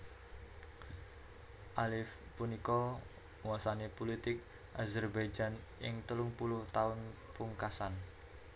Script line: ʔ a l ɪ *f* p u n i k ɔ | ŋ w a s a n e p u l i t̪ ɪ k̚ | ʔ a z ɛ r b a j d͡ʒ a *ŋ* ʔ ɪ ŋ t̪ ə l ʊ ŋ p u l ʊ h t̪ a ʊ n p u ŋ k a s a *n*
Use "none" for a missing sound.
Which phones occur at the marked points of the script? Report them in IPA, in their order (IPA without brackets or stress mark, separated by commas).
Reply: f, n, n